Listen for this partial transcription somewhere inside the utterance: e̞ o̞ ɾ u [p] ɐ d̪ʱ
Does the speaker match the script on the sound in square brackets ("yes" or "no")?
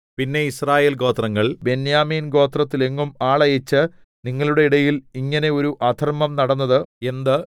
no